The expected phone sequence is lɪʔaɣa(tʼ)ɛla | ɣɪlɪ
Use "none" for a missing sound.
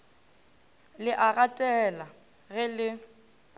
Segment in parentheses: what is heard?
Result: tʼ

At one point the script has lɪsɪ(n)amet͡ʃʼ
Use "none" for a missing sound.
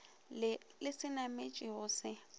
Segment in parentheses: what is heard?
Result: n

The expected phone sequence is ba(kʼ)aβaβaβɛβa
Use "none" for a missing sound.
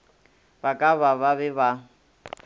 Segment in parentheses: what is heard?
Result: kʼ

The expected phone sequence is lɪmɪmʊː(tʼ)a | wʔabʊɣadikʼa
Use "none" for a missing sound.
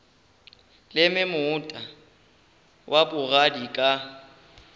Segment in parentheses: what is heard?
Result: tʼ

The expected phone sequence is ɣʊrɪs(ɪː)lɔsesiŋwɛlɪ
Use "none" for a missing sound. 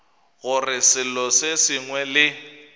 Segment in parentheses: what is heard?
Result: ɪ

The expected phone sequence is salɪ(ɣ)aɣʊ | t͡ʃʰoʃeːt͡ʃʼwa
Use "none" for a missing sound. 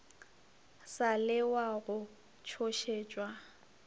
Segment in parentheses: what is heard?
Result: w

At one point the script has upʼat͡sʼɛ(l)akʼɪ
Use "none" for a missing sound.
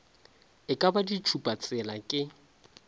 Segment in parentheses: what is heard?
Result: l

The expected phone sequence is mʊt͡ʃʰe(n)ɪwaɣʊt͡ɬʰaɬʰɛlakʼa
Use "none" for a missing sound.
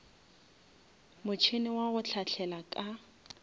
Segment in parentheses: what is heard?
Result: n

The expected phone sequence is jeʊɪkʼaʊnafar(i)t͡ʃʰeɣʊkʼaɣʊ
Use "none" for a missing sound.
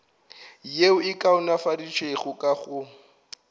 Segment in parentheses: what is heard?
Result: i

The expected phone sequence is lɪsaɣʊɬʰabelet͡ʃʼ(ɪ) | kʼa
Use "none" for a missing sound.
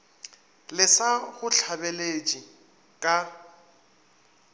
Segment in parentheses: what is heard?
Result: i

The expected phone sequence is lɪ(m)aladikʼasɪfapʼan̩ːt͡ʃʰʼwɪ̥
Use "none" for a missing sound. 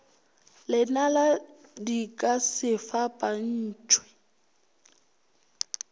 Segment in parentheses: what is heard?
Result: n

